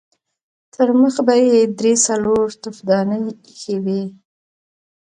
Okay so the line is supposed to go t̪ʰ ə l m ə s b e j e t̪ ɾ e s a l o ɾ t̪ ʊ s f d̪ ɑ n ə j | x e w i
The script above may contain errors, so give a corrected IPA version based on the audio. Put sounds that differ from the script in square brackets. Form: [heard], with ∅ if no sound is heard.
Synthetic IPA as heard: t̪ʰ ə [ɾ] m ə [x] b [a] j e [d̪] ɾ e s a l o ɾ t̪ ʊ [∅] f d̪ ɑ n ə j | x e w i